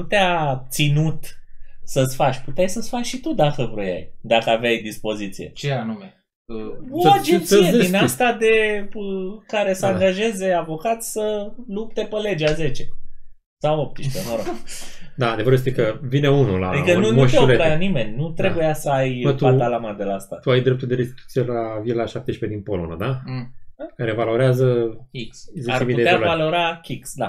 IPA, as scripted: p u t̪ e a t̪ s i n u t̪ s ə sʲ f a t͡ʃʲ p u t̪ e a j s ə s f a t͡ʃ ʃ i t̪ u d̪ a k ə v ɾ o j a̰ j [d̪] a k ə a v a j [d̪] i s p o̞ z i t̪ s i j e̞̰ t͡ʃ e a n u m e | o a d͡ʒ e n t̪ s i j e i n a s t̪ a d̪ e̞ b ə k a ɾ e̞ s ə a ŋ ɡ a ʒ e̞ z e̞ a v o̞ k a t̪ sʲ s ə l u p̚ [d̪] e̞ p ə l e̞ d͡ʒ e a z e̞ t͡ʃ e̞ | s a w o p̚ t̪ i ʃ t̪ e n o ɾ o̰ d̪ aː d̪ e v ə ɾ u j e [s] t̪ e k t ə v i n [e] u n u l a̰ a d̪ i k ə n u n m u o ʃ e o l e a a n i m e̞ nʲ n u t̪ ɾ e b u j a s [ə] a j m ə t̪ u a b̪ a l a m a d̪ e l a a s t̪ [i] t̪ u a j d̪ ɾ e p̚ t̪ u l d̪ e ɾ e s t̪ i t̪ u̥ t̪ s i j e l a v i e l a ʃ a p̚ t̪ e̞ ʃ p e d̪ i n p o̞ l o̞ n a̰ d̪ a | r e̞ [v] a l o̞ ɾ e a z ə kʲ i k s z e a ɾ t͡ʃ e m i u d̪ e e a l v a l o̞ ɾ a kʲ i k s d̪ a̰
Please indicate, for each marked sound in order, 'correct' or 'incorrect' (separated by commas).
correct, correct, incorrect, correct, correct, correct, incorrect, correct